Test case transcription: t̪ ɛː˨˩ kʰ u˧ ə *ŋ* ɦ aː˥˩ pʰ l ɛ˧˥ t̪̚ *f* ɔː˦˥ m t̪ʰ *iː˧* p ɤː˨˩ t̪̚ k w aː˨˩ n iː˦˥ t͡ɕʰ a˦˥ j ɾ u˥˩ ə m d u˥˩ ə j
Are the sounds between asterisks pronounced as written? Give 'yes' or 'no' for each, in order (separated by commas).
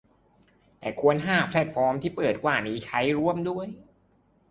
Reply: no, yes, no